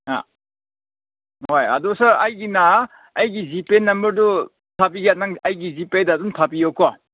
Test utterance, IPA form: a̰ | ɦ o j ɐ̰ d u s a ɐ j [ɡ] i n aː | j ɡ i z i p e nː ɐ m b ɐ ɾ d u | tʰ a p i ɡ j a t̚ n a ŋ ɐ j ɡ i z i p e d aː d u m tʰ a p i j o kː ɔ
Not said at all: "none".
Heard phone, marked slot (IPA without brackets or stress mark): ɡ